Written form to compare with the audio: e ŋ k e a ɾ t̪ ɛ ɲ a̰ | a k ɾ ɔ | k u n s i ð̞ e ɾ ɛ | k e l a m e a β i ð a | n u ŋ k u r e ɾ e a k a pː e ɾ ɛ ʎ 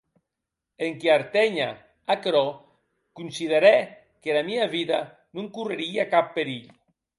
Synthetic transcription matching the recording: e ŋ k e a ɾ t̪ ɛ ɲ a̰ | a k ɾ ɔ | k u n s i ð̞ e ɾ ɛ | k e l a m i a β i ð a | n u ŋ k u r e ɾ i a k a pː e ɾ i ʎ